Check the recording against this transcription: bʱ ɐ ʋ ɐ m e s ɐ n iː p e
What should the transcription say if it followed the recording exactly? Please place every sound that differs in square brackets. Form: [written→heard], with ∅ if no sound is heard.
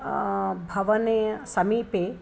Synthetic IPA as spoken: bʱ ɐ ʋ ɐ [m→n] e s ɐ [n→m] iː p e